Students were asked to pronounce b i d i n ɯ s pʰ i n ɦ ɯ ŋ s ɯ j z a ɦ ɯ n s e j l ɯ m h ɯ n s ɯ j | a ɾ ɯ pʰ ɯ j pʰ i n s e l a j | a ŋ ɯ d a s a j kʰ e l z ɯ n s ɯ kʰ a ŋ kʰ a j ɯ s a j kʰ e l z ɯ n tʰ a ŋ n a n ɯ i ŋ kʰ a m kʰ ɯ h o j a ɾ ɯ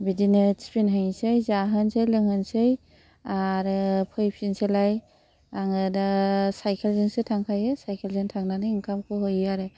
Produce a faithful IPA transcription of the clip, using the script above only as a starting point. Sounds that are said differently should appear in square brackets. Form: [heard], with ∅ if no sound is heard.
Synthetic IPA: b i d i n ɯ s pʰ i n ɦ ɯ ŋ s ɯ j z a ɦ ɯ n s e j l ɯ [ŋ] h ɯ n s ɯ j | a ɾ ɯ pʰ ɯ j pʰ i n s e l a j | a ŋ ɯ d a s a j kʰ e l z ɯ n s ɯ [tʰ] a ŋ kʰ a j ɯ s a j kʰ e l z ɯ n tʰ a ŋ n a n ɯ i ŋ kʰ a m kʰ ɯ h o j a ɾ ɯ